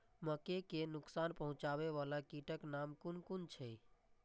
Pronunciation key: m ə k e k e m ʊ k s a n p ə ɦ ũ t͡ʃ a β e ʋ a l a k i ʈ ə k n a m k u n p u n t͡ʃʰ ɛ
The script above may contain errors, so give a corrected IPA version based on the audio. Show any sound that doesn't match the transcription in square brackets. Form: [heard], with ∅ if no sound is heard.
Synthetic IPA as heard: m ə k e k e [n] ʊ k s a n p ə ɦ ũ t͡ʃ a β e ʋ a l a k i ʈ ə k n a m k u n [k] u n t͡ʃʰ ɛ